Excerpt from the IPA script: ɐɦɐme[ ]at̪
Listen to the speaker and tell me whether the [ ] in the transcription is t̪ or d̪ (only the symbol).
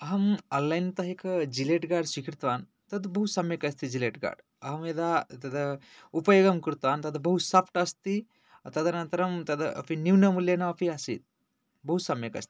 d̪